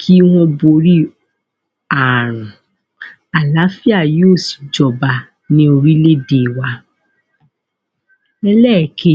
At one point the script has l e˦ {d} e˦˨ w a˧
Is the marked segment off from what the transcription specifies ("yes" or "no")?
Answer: no